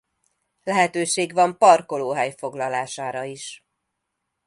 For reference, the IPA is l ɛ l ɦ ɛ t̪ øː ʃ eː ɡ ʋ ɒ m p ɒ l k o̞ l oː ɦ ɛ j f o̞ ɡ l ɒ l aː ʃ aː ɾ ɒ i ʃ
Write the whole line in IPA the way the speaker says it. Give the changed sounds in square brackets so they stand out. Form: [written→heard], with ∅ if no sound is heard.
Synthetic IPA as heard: l ɛ [l→∅] ɦ ɛ t̪ øː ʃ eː ɡ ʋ ɒ m p ɒ [l→r] k o̞ l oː ɦ ɛ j f o̞ ɡ l ɒ l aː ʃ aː ɾ ɒ i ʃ